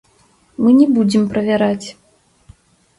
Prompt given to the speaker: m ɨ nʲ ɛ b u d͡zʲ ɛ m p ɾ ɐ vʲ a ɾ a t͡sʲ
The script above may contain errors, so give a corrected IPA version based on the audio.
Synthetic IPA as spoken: m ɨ nʲ ɛ b u d͡zʲ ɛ m p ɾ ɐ vʲ a ɾ a t͡sʲ